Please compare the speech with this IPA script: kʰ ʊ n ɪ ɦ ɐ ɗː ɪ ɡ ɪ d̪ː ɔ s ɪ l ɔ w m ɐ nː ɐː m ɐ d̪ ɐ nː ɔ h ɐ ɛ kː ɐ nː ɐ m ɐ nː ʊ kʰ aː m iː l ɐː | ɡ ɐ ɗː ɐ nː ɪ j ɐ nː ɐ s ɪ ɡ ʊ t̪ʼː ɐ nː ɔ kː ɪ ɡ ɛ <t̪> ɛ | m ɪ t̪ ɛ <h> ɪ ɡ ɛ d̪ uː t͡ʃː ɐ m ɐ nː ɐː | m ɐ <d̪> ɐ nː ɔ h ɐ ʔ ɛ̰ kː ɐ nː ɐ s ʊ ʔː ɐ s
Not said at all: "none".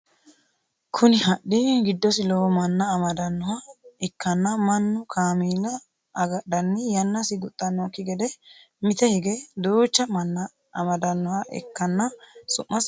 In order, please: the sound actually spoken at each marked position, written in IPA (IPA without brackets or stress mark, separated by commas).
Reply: d̪, h, d̪